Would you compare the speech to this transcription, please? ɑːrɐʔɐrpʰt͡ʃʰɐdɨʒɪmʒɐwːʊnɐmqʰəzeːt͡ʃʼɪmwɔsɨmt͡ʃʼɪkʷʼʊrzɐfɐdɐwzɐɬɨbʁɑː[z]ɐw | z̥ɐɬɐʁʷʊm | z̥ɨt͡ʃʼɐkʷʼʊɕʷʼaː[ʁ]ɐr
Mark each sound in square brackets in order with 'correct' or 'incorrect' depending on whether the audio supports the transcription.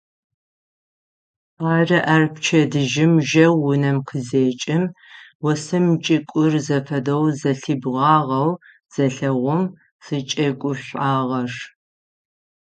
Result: incorrect: ʁ, correct

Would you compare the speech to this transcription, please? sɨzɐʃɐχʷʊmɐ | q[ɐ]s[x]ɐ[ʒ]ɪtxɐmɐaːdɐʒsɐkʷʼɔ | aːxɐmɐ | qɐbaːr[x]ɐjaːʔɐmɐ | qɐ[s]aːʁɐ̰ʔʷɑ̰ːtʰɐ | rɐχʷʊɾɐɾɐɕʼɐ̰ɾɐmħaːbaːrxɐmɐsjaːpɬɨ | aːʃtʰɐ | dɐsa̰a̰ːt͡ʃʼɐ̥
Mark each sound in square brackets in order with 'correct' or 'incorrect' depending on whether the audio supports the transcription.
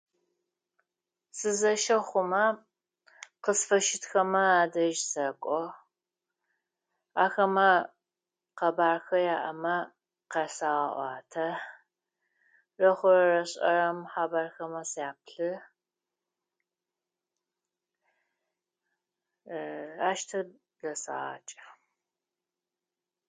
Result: incorrect: ə, incorrect: f, incorrect: ʃ, correct, correct

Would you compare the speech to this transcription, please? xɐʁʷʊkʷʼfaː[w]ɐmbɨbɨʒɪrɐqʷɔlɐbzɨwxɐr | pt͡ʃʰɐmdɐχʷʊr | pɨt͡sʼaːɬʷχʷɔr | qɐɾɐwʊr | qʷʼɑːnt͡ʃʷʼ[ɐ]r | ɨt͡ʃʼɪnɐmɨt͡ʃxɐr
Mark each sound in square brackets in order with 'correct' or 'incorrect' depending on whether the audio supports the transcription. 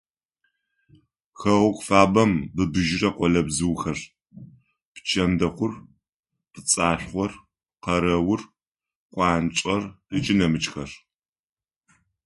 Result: incorrect: b, correct

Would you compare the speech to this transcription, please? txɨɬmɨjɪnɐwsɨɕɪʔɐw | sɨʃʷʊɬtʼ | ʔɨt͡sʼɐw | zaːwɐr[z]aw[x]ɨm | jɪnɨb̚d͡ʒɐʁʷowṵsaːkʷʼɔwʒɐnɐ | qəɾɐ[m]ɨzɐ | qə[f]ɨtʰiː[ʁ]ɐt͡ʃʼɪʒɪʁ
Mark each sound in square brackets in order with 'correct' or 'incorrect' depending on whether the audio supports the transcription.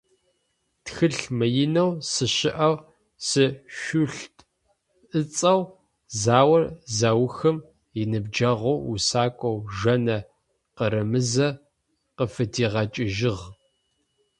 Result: correct, correct, correct, correct, correct

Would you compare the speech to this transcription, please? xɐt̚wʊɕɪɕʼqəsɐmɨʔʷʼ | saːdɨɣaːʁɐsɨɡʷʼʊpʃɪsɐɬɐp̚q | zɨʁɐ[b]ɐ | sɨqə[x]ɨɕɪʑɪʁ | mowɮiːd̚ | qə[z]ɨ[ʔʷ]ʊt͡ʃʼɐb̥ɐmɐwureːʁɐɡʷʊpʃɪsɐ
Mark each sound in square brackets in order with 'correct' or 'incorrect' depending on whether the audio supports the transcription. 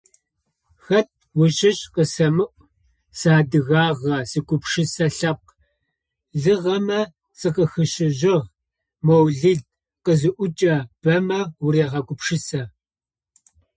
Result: incorrect: m, correct, correct, correct

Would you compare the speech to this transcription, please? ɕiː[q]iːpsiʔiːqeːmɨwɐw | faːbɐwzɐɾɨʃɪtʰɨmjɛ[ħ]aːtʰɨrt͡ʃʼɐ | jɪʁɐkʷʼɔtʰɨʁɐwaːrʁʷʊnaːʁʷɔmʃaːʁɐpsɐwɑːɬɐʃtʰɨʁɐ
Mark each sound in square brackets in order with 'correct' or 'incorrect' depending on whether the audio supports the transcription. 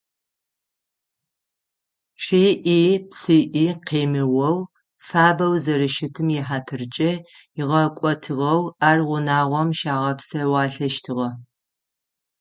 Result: incorrect: ʔ, correct

